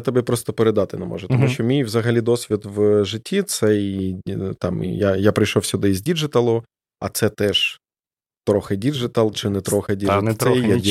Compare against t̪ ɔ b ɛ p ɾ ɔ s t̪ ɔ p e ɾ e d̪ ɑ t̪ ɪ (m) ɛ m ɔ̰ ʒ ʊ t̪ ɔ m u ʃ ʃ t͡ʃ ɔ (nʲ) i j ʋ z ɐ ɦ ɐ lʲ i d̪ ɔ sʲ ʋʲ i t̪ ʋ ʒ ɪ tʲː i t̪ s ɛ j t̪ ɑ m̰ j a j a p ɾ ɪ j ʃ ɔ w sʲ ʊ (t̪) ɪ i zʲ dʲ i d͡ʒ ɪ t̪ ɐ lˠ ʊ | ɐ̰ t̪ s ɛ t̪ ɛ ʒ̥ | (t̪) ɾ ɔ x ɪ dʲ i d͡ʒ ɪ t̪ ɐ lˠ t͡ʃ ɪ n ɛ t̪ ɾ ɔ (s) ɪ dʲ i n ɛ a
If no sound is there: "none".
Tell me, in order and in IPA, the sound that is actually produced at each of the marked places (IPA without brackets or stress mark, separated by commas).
n, mʲ, d̪, t̪, x